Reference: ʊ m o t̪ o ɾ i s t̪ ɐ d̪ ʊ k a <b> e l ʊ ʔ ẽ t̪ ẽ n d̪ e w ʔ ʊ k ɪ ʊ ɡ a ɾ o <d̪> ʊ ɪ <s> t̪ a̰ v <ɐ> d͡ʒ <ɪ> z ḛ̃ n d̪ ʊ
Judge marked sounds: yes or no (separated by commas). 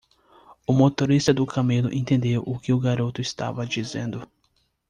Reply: no, no, yes, yes, no